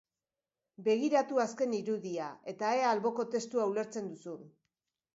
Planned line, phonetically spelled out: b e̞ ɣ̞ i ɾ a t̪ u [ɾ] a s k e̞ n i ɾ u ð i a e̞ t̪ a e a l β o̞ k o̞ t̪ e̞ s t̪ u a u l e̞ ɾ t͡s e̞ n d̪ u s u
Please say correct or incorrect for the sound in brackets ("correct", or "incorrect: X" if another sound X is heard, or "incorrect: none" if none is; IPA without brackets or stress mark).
incorrect: none